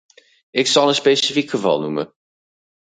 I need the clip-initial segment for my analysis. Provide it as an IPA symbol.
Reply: ɪ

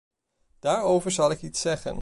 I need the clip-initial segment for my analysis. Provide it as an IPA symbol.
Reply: d̥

